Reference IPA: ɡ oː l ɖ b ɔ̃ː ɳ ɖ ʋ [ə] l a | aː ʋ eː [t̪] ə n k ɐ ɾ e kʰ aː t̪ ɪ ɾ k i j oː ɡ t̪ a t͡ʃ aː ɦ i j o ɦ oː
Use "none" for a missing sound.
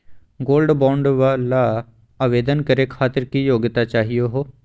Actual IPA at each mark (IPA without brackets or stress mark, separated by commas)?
a, d̪